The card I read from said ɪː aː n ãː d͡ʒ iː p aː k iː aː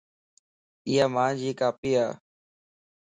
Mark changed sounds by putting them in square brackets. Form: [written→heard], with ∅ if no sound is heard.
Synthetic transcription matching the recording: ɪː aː [n→m] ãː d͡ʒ iː [p→k] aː [k→p] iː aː